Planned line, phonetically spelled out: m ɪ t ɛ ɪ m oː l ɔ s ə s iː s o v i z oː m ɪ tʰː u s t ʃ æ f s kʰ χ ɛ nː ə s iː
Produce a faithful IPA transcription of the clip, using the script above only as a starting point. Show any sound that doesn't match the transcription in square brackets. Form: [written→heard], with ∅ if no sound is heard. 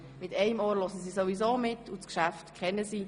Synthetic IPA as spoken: m ɪ t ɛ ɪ m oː l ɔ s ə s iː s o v i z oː m ɪ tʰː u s [t→k] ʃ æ f [s→t] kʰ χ ɛ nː ə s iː